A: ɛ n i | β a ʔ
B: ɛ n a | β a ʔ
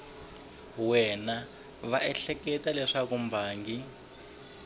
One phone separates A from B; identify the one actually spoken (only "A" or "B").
B